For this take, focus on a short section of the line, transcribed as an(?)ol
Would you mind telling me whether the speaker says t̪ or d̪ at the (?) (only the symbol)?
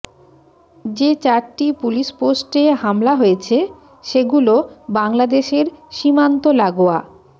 t̪